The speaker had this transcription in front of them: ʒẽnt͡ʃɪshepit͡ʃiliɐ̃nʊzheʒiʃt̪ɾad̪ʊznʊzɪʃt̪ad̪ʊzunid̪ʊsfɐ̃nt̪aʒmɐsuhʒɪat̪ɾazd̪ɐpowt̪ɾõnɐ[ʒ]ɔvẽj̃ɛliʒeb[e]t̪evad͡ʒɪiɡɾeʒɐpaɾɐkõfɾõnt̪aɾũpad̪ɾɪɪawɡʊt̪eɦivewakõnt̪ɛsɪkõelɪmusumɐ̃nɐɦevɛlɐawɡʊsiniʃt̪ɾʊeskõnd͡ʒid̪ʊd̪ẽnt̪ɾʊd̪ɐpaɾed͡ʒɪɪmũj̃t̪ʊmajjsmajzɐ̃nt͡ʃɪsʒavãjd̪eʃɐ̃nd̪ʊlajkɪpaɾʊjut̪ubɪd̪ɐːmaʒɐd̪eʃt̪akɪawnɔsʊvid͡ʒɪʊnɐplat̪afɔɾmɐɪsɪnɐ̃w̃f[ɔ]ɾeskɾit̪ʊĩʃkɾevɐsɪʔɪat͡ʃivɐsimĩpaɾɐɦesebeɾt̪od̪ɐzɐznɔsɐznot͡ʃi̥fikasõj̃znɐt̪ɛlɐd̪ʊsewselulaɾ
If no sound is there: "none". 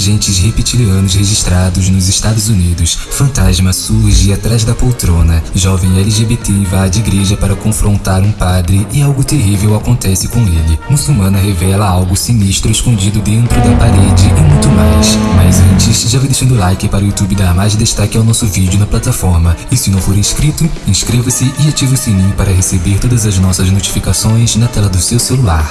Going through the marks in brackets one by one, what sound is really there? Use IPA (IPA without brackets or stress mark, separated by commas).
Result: ʒ, e, o